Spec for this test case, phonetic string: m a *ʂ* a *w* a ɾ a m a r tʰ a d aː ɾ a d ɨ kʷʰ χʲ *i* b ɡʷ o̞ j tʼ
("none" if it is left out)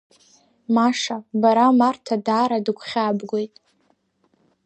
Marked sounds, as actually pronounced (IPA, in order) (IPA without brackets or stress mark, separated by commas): ʂ, b, a